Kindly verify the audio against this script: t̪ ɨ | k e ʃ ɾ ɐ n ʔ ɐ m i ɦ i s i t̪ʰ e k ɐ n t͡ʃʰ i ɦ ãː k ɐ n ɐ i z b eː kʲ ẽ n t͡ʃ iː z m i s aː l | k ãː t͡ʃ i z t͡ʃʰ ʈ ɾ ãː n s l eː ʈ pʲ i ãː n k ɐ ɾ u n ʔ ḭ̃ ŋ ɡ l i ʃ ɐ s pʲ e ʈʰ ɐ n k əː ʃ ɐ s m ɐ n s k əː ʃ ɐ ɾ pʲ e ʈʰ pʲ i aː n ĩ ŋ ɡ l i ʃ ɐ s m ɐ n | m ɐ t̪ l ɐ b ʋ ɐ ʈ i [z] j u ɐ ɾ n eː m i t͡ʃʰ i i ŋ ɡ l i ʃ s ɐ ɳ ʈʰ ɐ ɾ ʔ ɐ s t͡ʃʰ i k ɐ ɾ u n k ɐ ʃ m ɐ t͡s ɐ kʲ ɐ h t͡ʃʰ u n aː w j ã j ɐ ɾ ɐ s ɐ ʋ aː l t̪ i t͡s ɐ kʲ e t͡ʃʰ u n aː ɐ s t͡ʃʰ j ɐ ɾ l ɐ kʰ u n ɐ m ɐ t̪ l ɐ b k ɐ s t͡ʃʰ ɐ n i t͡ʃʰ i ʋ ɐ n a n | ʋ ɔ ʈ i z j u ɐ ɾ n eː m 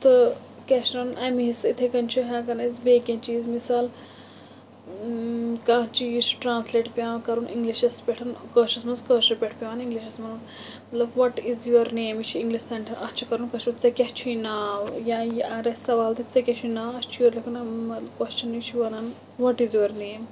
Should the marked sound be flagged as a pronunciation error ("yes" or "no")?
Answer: no